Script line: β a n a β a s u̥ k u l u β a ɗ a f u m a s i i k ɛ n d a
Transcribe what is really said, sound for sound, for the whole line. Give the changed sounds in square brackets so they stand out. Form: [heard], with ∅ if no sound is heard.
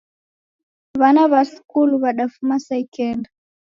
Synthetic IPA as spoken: β a n a β a s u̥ k u l u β a ɗ a f u m a s [a] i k ɛ n d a